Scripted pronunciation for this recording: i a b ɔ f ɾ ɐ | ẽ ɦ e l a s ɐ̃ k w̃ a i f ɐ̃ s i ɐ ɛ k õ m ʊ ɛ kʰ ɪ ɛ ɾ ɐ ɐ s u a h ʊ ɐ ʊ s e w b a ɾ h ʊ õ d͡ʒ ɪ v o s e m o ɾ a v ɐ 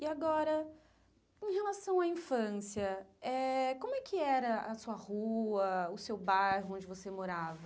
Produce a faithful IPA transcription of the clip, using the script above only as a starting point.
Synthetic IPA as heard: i a ɡ ɔ ɾ ɐ | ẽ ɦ e l a s ɐ̃ w̃ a ĩ f ɐ̃ s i ɐ ɛ k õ m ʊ ɛ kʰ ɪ ɛ ɾ ɐ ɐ s u ɐ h u ɐ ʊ s e w b a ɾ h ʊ õ d͡ʒ ɪ v o s e m o ɾ a v ɐ

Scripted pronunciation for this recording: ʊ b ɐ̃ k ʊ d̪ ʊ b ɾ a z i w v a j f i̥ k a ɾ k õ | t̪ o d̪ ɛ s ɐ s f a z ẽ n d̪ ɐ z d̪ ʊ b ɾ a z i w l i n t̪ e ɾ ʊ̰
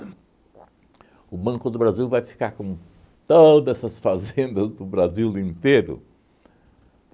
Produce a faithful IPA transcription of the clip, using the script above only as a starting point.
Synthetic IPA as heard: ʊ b ɐ̃ k ʊ d̪ ʊ b ɾ a z i w v a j f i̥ k a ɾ k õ | t̪ o d̪ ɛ s ɐ s f a z ẽ n d̪ ɐ z d̪ ʊ b ɾ a z i w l ĩ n t̪ e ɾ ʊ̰

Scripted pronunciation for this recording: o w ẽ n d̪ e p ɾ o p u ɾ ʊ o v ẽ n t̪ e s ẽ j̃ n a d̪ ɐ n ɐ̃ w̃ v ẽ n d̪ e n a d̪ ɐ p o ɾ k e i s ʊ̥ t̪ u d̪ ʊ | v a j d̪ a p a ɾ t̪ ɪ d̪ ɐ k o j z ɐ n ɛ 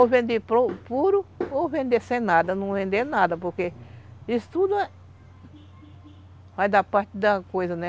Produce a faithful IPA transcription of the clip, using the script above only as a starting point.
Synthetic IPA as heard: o v ẽ n d̪ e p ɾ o p u ɾ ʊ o v ẽ n d̪ e s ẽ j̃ n a d̪ ɐ n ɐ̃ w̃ v ẽ n d̪ e n a d̪ ɐ p o ɾ k e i s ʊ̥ t̪ u d̪ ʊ | v a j d̪ a p a ɾ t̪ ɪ d̪ ɐ k o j z ɐ n ɛ

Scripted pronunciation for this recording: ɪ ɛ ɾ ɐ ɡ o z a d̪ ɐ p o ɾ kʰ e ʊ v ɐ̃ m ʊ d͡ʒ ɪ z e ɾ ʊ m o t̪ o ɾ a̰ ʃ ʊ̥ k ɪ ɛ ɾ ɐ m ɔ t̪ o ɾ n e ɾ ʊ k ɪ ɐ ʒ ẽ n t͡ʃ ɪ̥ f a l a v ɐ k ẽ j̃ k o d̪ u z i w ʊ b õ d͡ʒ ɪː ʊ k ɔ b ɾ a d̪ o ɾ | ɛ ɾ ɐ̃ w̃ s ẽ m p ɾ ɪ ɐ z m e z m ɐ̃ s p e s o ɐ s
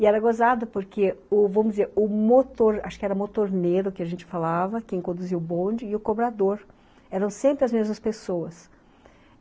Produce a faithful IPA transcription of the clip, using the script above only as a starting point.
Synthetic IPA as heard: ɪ ɛ ɾ ɐ ɡ o z a d̪ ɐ p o ɾ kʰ e ʊ v ɐ̃ m ʊ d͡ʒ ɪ z e ɾ ʊ m o t̪ o ɾ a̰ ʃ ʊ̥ k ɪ ɛ ɾ ɐ m o t̪ o ɾ n e ɾ ʊ k ɪ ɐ ʒ ẽ n t͡ʃ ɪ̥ f a l a v ɐ k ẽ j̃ k õ d̪ u z i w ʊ b õ d͡ʒ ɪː ʊ k o b ɾ a d̪ o ɾ | ɛ ɾ ɐ̃ w̃ s ẽ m p ɾ ɪ ɐ z m e z m ɐ s p e s o ɐ s

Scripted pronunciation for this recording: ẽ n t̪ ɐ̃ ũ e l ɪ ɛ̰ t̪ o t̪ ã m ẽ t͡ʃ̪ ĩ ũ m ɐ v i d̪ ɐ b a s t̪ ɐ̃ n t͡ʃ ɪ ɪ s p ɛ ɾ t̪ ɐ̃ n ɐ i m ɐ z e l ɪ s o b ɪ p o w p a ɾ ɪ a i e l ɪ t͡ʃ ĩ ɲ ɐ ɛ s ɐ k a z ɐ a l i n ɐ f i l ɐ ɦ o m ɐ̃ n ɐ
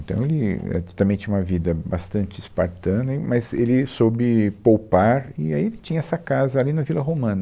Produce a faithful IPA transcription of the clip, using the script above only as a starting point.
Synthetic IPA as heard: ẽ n t̪ ɐ̃ w̃ e l ɪ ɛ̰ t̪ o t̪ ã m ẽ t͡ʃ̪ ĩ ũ m ɐ v i d̪ ɐ b a s t̪ ɐ̃ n t͡ʃ ɪ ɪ s p a ɾ t̪ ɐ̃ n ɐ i m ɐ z e l ɪ s o b ɪ p o w p a ɾ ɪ a i e l ɪ t͡ʃ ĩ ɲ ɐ ɛ s ɐ k a z ɐ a l i n ɐ v i l ɐ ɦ o m ɐ̃ n ɐ

